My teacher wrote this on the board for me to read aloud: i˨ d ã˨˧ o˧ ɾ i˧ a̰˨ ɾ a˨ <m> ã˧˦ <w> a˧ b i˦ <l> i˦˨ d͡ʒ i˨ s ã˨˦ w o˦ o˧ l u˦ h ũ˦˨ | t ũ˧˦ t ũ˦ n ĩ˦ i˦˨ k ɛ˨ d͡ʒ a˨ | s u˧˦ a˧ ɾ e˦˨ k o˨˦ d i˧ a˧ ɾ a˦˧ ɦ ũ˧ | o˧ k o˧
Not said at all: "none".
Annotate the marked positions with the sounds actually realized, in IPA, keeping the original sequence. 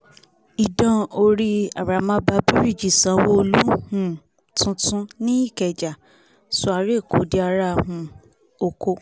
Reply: m, b, ɾ

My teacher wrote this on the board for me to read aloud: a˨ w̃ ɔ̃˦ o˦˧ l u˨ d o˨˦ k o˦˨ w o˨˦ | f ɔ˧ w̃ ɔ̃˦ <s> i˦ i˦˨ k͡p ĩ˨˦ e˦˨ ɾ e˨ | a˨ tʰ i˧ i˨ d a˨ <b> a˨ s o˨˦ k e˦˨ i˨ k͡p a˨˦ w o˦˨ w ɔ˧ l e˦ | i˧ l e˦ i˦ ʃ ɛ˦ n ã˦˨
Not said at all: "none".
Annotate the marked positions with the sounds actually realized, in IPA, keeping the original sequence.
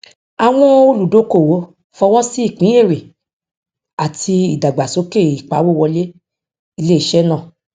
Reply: s, ɡ͡b

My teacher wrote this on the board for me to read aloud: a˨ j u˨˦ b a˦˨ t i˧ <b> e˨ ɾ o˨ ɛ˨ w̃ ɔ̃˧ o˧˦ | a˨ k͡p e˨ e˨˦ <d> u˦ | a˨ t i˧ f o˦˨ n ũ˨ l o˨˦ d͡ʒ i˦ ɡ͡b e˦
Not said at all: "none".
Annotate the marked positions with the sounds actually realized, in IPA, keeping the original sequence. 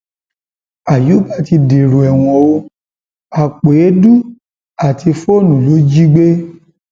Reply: d, d

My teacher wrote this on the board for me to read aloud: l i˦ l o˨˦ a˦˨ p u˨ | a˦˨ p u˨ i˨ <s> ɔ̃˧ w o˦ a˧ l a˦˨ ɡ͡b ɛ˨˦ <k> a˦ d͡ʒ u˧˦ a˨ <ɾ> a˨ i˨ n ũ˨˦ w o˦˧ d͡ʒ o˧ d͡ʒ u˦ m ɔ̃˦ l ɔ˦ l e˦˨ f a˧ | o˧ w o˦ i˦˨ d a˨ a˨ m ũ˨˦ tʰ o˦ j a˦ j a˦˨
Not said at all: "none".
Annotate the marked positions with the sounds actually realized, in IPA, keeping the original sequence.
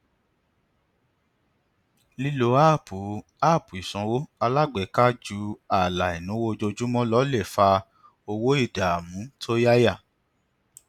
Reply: s, k, l

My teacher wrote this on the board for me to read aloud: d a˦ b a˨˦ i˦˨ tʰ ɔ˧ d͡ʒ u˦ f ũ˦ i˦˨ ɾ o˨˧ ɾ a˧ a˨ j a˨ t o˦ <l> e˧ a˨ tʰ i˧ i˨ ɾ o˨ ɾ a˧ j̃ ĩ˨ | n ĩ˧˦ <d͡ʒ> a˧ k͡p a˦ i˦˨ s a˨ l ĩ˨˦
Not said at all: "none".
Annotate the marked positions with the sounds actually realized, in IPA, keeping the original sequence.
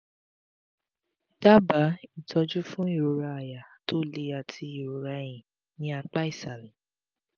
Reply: l, none

